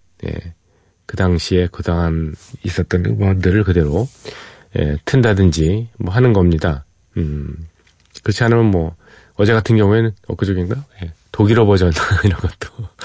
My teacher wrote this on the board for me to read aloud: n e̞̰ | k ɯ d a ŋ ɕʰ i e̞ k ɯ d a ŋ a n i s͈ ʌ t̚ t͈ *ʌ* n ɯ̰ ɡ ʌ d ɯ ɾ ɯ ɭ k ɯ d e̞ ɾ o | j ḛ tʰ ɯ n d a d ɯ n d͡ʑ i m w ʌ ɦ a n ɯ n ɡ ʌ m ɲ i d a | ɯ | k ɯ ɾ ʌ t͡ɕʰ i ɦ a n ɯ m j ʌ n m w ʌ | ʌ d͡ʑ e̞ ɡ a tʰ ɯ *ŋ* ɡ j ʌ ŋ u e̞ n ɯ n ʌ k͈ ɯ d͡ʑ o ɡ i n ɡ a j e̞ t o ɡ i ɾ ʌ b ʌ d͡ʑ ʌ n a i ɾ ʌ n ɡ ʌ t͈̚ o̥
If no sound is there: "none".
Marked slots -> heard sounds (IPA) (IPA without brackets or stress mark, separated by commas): ʌ, n